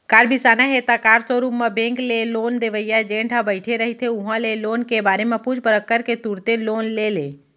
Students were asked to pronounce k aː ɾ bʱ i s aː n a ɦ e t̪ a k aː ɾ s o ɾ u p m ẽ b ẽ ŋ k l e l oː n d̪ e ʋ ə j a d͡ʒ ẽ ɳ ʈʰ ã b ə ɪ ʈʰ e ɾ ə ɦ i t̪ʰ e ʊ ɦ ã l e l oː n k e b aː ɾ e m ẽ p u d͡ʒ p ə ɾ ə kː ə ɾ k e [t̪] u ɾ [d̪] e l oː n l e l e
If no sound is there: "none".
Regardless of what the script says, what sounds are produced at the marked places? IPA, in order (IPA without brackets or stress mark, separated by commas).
t̪, t̪